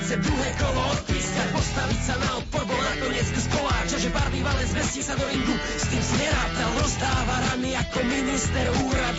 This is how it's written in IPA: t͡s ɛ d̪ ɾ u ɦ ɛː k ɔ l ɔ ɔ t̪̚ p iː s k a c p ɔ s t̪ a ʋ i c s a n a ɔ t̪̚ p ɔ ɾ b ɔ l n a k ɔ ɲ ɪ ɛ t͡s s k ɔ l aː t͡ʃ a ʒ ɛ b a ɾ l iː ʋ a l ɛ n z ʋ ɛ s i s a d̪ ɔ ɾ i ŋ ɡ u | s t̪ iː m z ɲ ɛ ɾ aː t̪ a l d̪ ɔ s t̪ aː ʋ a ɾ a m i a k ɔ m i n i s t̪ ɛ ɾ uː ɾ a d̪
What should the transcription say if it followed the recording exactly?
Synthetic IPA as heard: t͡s ɛ d̪ ɾ u ɦ ɛː k ɔ l ɔ ɔ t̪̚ p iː s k a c p ɔ s t̪ a ʋ i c s a n a ɔ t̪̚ p ɔ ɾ b ɔ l n a k ɔ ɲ ɪ ɛ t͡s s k ɔ l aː t͡ʃ a ʒ ɛ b a ɾ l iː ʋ a l ɛ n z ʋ ɛ s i s a d̪ ɔ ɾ i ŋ ɡ u | s t̪ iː m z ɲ ɛ ɾ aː t̪ a l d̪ ɔ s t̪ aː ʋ a ɾ a m i a k ɔ m i n i s t̪ ɛ ɾ uː ɾ a d̪